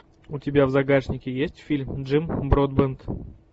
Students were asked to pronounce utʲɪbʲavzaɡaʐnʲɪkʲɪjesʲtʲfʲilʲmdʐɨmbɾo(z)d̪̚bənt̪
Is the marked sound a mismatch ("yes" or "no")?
yes